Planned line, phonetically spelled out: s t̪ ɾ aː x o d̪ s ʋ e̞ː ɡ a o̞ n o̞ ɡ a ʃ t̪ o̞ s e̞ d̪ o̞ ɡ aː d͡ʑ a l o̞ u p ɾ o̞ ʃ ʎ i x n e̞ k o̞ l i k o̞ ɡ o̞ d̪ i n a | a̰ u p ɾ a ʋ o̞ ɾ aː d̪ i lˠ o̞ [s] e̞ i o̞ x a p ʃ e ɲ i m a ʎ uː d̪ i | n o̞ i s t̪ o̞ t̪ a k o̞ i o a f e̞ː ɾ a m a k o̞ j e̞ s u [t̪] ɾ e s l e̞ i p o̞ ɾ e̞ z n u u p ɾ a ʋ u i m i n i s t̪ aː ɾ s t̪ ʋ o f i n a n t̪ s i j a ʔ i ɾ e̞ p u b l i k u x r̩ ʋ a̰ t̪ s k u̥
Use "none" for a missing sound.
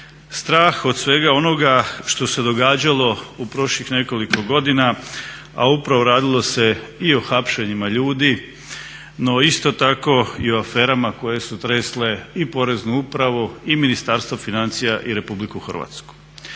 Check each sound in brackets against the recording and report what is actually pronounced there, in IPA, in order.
s, t̪

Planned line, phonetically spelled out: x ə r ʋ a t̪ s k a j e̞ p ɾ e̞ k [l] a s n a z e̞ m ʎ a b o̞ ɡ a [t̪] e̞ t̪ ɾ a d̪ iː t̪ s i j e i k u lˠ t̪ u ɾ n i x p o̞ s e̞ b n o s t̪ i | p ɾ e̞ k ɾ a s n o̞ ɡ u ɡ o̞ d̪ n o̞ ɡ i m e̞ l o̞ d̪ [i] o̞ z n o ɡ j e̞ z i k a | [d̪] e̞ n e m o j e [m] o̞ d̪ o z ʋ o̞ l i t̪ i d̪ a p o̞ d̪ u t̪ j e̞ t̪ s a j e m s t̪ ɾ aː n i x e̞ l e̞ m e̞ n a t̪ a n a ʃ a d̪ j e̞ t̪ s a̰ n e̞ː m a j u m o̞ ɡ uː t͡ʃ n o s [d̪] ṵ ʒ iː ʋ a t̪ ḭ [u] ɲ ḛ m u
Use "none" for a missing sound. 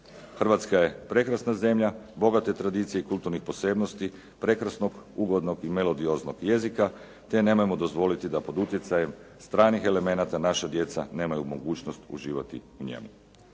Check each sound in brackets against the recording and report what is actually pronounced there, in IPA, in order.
ɾ, t̪, i, t̪, m, t̪, u

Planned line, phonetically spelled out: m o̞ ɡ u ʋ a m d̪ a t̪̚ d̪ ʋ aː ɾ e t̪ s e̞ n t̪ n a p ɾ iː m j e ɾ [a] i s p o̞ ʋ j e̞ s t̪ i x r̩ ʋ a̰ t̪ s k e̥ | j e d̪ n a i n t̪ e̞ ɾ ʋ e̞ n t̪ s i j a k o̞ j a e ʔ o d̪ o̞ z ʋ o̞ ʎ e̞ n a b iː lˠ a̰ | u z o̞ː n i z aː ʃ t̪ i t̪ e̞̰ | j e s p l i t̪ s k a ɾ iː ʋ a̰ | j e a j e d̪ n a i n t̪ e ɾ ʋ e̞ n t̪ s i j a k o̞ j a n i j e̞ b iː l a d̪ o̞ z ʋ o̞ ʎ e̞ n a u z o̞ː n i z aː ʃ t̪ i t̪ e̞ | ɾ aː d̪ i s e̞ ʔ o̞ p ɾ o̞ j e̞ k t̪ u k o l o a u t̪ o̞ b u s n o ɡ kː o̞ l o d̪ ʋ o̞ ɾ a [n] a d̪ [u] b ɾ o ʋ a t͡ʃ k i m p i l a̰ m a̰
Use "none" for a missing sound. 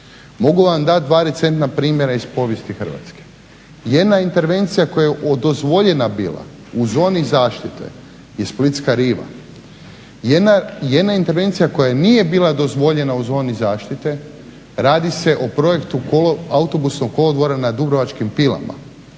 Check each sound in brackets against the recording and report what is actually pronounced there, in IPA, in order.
a, n, u

